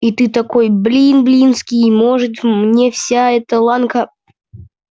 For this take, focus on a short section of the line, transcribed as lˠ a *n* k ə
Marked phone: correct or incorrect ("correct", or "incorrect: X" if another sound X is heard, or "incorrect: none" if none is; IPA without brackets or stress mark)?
correct